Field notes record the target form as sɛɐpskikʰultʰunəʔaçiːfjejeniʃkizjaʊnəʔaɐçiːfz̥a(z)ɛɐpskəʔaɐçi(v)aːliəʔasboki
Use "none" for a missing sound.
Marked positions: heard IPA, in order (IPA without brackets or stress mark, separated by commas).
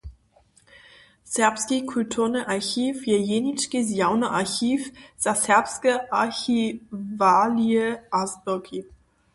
s, v